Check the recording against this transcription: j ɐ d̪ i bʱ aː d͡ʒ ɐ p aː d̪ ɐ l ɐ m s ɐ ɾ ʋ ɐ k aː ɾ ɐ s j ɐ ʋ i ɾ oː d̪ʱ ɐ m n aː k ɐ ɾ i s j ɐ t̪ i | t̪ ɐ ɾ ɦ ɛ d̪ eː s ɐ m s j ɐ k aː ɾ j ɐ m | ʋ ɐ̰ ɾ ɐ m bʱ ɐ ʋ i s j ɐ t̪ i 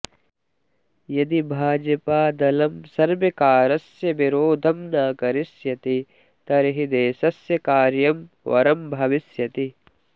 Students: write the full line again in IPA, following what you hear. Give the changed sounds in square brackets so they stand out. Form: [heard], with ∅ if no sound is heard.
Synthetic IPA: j ɐ d̪ i bʱ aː d͡ʒ ɐ p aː d̪ ɐ l ɐ m s ɐ ɾ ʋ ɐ k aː ɾ ɐ s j ɐ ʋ i ɾ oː d̪ʱ ɐ m n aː k ɐ ɾ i s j ɐ t̪ i | t̪ ɐ ɾ ɦ [i] d̪ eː s ɐ [∅] s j ɐ k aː ɾ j ɐ m | ʋ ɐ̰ ɾ ɐ m bʱ ɐ ʋ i s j ɐ t̪ i